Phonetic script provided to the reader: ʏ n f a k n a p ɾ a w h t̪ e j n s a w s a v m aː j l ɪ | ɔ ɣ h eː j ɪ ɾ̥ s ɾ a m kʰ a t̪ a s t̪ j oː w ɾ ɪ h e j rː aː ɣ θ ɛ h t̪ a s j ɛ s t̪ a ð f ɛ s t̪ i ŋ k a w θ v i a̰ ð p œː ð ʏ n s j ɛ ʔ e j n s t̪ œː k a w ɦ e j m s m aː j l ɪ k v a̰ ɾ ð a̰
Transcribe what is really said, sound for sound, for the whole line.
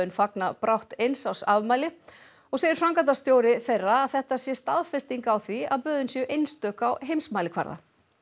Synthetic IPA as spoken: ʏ n f a k n a p ɾ a w h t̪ e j n s a w s a v m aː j l ɪ | ɔ ɣ s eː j ɪ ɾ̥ f ɾ a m k a t̪ a s t̪ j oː w ɾ ɪ θ e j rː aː ð θ ɛ h t̪ a s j ɛ s t̪ a ð f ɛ s t̪ i ŋ k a w θ v i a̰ ð p œː ð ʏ n s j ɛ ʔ e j n s t̪ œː k a w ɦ e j m s m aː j l ɪ kʰ v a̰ ɾ ð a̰